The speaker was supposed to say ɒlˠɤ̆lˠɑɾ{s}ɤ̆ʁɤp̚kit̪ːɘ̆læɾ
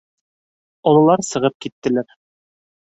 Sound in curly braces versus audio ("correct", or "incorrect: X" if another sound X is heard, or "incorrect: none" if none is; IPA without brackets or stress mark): correct